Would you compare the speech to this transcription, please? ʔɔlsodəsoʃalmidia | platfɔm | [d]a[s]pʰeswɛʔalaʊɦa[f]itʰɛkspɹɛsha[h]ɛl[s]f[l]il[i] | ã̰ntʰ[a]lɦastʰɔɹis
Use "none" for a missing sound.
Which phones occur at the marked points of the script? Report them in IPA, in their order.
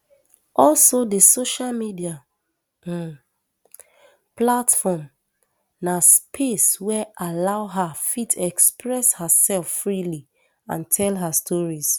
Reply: n, s, f, s, f, ɹ, i, ɛ

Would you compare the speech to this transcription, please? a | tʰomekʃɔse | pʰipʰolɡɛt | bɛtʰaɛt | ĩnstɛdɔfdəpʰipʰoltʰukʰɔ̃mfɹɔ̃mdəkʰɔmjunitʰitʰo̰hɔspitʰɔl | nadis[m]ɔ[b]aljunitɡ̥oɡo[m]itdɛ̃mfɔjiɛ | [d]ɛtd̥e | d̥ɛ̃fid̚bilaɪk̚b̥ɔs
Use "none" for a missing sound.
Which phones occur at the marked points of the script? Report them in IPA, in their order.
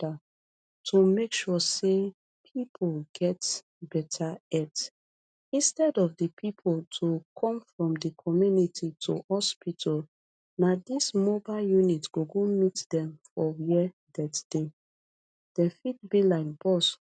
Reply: m, b, m, d

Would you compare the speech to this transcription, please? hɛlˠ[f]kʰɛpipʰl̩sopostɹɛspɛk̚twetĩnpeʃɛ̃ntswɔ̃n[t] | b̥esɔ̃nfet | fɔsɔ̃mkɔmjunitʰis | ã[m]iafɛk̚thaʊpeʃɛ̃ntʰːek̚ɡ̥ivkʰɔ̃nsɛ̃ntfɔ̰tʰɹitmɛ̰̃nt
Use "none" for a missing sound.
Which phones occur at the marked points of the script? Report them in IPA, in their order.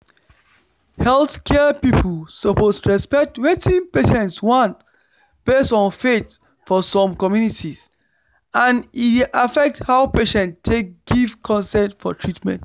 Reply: θ, t, n

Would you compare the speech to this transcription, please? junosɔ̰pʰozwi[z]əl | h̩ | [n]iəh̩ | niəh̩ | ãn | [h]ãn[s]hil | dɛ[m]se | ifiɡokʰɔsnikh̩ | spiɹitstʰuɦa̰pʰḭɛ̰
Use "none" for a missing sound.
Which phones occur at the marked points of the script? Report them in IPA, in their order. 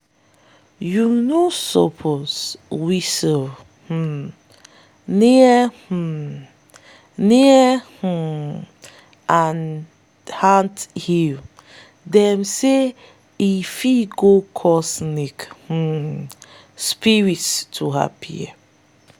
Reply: s, n, h, t, m

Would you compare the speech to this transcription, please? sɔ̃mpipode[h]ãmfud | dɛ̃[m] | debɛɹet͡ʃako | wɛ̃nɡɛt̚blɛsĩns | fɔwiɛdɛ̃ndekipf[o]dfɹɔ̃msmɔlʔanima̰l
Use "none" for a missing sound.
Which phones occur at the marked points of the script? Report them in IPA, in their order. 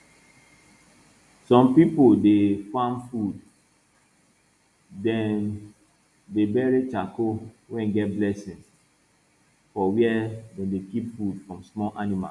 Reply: f, n, u

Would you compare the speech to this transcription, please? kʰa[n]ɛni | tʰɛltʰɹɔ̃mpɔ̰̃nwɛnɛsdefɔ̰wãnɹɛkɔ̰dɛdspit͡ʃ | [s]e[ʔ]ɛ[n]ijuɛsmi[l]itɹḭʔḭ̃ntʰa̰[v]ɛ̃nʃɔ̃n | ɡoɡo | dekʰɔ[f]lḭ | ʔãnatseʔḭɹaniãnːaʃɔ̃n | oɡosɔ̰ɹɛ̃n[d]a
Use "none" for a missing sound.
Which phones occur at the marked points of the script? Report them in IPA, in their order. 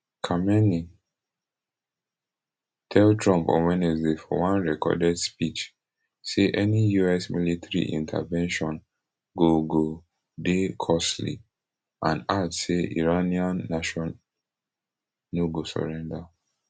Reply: m, s, ʔ, n, l, v, s, d

